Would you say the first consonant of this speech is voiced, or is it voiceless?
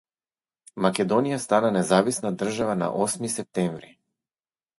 voiced